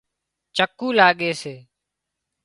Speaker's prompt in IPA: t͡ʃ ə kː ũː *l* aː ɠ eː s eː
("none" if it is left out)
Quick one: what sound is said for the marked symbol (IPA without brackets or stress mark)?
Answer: l